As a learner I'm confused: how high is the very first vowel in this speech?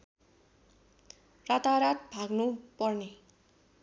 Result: low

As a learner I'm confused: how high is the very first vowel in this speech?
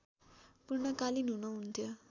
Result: high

